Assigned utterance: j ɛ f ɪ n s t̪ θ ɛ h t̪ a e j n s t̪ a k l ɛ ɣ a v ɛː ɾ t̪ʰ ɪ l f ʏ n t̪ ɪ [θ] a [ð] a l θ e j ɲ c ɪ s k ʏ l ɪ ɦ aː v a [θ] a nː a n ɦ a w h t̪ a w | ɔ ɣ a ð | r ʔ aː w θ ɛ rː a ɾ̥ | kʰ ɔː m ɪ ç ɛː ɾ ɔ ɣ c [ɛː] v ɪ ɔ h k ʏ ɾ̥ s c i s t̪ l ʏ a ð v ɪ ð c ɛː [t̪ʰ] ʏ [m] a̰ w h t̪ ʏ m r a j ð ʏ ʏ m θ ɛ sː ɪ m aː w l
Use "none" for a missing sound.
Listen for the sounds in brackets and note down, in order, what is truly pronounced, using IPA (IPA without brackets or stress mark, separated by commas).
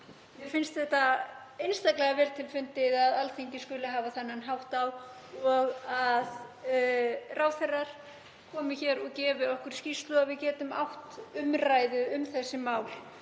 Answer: ð, ð, θ, ɛː, t̪, m